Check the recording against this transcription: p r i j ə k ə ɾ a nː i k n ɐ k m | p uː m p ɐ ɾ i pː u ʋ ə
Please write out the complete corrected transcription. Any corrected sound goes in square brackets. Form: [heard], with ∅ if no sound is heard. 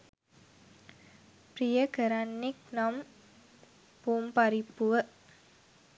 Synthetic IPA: p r i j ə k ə ɾ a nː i k n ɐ [∅] m | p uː m p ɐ ɾ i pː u ʋ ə